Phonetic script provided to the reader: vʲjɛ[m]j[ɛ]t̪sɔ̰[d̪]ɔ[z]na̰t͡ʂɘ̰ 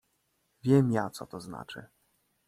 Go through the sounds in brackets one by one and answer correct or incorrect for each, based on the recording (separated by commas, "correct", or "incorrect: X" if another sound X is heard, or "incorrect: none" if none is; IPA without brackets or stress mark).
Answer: correct, incorrect: a, incorrect: t̪, correct